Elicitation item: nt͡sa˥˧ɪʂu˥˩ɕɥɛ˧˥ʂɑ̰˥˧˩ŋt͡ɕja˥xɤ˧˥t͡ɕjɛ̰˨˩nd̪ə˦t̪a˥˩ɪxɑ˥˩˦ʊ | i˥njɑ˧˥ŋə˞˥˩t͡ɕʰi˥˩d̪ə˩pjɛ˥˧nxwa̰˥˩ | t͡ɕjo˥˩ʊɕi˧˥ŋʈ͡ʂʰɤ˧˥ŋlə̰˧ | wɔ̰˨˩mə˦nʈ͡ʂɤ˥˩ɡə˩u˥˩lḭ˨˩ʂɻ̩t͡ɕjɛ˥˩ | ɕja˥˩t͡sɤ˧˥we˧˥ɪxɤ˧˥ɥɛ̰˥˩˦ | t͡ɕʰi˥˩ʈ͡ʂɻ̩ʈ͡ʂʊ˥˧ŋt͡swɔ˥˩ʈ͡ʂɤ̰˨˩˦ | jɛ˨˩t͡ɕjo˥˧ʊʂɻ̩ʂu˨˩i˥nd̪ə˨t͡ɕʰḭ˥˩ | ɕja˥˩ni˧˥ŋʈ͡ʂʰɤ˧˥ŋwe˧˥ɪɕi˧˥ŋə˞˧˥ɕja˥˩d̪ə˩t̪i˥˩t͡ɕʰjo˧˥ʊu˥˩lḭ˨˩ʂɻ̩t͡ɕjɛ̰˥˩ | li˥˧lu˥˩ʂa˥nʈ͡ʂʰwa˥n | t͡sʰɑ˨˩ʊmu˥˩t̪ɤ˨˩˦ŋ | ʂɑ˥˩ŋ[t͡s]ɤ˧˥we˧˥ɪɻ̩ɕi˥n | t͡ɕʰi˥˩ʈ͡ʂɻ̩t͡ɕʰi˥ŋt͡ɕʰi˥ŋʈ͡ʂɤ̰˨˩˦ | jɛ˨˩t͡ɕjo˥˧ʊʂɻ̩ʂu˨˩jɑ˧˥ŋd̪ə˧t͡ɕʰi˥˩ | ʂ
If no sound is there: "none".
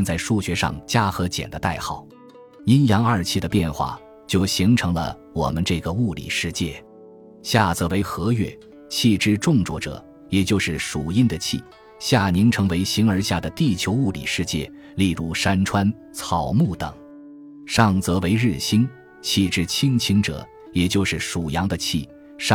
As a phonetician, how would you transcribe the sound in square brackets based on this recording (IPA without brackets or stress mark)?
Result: t͡s